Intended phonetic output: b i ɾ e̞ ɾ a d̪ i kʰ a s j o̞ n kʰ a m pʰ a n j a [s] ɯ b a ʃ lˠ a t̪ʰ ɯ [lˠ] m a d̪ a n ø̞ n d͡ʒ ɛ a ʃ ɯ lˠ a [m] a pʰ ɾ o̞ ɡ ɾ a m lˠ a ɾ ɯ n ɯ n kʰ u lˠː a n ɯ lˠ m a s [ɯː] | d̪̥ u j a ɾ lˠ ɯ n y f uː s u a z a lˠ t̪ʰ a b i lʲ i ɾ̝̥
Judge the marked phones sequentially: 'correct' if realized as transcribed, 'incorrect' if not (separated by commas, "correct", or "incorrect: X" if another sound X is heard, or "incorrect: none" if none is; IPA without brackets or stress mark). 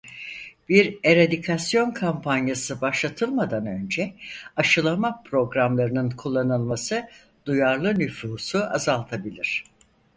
correct, correct, correct, incorrect: ɯ